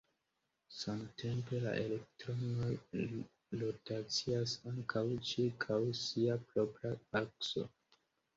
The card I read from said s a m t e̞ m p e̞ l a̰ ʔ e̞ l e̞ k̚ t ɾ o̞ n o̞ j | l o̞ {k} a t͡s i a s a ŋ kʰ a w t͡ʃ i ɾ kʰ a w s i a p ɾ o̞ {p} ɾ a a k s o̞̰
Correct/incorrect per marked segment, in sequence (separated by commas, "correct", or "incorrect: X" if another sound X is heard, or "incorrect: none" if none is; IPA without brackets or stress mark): incorrect: t, correct